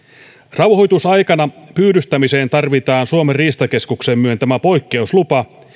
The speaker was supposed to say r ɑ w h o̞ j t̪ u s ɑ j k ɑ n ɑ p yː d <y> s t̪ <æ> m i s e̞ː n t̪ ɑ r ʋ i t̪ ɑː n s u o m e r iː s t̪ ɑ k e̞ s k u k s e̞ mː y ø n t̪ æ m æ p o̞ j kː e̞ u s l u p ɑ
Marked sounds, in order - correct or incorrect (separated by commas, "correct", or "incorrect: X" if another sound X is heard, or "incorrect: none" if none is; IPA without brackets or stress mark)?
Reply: correct, correct